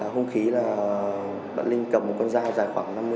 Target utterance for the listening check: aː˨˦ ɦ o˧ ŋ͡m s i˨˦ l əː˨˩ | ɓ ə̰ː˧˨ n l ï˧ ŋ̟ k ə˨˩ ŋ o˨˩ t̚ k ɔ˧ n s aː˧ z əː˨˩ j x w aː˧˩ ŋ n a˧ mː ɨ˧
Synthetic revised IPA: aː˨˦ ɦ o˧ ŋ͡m x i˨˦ l aː˨˩ | ɓ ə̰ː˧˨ n l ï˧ ŋ̟ k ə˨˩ m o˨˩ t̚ k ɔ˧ n z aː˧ z aː˨˩ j x w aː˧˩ ŋ n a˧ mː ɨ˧